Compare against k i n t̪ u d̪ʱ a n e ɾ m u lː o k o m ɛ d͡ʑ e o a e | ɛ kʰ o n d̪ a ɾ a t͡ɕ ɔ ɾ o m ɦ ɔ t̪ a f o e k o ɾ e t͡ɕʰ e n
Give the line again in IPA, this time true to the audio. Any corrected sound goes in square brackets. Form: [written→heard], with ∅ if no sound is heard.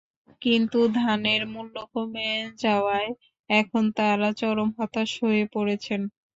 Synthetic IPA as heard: k i n t̪ u d̪ʱ a n e ɾ m u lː o k o m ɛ d͡ʑ [e→a] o a e | ɛ kʰ o n [d̪→t̪] a ɾ a t͡ɕ ɔ ɾ o m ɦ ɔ t̪ a [f→ʃ] o e [k→p] o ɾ e t͡ɕʰ e n